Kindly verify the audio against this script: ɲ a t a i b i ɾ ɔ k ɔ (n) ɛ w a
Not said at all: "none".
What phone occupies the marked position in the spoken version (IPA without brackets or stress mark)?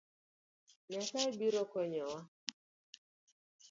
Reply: ɲ